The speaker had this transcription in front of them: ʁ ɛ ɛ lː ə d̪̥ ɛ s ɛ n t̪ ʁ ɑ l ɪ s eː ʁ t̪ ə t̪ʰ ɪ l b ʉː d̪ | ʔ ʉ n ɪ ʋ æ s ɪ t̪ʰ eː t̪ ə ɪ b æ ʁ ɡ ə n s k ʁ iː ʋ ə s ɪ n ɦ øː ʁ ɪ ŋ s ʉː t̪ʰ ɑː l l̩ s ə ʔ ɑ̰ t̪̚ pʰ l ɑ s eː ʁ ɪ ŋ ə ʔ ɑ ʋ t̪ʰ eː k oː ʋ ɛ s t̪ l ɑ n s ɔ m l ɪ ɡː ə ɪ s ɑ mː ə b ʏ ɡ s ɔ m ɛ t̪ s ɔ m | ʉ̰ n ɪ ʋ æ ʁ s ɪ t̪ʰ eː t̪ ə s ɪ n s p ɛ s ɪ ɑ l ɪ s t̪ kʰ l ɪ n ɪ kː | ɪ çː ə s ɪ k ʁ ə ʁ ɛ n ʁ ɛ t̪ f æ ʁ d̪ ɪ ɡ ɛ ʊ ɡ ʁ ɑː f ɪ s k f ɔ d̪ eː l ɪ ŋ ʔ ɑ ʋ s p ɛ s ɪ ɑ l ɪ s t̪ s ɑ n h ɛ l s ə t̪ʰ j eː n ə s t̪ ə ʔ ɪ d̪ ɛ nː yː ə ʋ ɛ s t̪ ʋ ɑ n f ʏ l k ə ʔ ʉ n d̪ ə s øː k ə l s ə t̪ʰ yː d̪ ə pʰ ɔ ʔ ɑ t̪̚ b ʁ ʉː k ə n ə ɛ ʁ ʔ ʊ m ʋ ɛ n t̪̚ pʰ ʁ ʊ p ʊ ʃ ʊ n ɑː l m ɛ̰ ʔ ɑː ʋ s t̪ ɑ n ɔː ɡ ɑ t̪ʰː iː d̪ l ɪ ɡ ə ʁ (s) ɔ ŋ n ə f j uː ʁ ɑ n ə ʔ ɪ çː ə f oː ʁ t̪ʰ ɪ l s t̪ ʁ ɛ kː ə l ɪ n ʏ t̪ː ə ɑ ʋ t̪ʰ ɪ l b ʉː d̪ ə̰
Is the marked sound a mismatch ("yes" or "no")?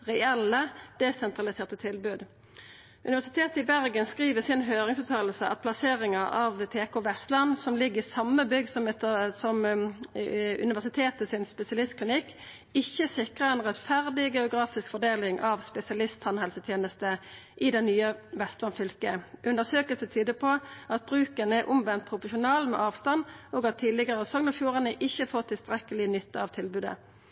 no